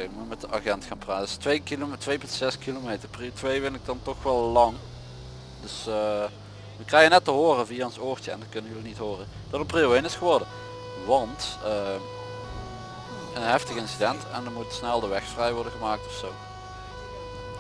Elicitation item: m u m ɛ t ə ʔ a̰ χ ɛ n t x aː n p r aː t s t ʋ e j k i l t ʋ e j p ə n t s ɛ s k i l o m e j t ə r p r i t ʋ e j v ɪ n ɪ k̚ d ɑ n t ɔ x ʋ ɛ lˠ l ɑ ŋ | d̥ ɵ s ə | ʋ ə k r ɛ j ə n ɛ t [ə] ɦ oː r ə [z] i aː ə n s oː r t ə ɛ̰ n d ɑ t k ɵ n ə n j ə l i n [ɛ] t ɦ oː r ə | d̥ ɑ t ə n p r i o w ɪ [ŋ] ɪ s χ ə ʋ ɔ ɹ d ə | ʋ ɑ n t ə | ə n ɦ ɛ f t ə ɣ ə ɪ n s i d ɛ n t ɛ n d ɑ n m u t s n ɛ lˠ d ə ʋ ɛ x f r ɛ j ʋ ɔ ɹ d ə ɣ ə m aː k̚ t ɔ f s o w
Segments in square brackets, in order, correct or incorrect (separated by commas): correct, incorrect, incorrect, incorrect